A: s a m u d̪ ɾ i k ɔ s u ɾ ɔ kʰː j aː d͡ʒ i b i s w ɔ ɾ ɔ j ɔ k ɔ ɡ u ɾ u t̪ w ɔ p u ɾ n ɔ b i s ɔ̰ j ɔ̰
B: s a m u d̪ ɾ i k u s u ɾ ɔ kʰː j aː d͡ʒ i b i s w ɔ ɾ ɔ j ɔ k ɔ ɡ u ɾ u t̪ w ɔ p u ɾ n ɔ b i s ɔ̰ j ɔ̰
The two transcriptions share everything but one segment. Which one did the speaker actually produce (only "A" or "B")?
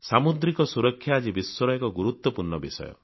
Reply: A